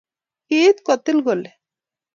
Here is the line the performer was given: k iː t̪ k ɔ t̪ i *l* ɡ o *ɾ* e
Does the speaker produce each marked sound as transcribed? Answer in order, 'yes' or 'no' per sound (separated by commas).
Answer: yes, no